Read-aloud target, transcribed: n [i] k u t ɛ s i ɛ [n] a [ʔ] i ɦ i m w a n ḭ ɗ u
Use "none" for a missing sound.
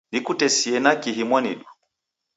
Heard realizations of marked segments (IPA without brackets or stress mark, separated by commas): i, n, k